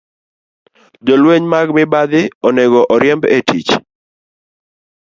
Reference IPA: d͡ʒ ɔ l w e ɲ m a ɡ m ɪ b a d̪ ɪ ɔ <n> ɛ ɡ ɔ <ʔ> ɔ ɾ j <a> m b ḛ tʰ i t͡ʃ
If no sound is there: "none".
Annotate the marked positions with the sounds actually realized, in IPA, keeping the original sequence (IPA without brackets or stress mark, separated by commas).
n, ʔ, ɛ